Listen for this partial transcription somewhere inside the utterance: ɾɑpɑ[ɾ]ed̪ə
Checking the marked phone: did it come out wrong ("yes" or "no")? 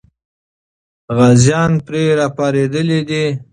no